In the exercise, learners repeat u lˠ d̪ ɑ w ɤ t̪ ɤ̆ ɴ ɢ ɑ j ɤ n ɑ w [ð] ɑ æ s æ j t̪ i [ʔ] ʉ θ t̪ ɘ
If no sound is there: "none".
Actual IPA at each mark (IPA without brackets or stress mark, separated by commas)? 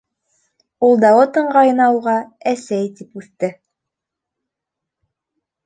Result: ʁ, p